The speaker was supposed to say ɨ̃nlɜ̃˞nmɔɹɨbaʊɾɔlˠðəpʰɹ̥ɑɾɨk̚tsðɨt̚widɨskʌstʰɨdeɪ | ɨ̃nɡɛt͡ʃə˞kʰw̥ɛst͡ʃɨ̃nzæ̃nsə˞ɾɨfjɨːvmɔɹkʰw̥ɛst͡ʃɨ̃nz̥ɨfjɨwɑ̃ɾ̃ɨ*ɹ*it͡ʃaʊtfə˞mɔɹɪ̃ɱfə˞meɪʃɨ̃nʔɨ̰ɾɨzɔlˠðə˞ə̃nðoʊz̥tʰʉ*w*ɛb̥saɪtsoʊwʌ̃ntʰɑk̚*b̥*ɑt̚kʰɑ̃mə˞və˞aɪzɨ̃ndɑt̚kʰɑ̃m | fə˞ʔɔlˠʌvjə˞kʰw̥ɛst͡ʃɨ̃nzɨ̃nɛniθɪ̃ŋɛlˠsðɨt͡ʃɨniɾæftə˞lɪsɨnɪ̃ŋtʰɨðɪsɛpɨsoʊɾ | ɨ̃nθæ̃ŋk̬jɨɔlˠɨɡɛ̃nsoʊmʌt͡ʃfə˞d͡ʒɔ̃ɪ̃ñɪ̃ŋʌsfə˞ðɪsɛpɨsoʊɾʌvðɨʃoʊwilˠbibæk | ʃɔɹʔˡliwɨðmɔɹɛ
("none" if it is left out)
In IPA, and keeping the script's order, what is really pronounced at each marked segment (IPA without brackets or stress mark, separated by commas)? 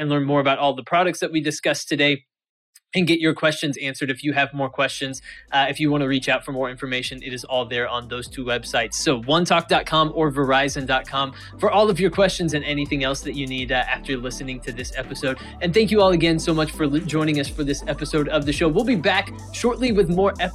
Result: ɹ, w, d̥